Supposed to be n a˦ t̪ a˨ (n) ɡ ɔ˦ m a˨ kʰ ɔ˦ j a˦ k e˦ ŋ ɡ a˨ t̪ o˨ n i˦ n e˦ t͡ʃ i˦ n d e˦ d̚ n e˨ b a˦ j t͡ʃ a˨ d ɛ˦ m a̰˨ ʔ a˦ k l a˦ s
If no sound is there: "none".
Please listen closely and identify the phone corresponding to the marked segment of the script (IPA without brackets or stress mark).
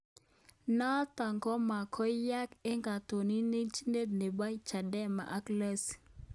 ŋ